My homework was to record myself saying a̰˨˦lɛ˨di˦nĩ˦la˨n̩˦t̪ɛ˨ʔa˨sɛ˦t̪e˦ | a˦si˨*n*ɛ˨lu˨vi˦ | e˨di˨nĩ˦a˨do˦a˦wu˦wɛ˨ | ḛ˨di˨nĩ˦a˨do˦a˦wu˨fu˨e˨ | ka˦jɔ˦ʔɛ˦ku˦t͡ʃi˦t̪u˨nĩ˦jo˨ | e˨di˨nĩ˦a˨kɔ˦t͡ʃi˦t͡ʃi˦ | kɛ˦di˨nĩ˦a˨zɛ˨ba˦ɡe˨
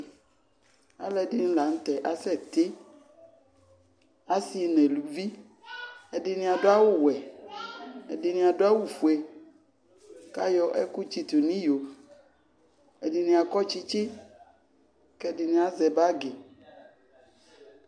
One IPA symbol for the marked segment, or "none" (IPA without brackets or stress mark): n